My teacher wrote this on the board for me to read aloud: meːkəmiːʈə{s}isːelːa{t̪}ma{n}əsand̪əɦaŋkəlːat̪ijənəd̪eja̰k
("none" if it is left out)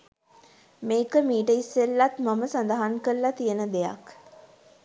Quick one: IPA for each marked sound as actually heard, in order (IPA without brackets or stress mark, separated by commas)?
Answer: none, t̪, m